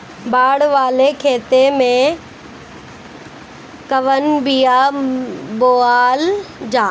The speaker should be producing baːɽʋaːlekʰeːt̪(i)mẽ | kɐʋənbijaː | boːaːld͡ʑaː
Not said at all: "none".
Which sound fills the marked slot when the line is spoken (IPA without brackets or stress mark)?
e